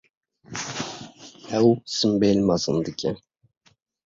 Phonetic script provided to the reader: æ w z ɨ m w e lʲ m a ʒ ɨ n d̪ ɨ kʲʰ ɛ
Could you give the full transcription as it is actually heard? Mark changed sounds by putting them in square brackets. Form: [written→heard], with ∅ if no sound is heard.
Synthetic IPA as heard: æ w [z→s] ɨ m [w→b] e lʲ m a [ʒ→z] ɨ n d̪ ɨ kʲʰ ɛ